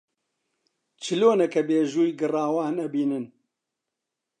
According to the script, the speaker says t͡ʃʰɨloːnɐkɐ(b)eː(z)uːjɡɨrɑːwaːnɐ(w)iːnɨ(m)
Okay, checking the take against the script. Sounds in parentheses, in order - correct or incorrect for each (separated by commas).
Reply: correct, incorrect, incorrect, incorrect